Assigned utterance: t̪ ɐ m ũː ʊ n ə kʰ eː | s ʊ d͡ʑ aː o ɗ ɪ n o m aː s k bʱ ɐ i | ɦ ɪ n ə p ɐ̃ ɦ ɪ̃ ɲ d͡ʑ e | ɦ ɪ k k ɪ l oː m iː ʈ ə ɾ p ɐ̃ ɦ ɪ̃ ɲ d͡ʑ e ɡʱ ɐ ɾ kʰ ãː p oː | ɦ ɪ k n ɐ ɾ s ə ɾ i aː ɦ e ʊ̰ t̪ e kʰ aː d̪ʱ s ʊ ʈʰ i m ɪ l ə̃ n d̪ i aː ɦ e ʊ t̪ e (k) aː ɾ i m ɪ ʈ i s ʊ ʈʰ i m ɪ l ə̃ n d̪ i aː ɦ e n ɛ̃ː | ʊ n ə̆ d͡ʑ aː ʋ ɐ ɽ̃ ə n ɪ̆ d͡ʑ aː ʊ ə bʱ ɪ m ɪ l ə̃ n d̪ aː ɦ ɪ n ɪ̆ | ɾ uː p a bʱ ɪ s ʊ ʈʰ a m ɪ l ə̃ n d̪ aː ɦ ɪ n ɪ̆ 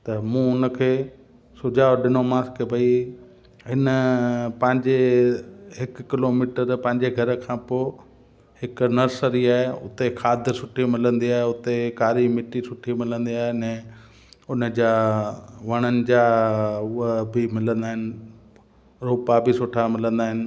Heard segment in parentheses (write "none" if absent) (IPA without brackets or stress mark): k